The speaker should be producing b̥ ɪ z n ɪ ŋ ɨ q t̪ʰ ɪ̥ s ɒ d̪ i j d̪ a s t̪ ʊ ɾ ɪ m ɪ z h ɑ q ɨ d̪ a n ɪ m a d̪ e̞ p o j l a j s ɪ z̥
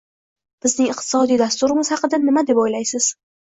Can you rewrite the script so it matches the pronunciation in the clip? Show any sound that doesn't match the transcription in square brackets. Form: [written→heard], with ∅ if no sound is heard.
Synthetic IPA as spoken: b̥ ɪ z n ɪ ŋ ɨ q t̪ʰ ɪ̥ s ɒ d̪ i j d̪ a s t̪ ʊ ɾ ɪ m ɪ z h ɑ q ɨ d̪ a n ɪ m a d̪ e̞ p o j l a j s ɪ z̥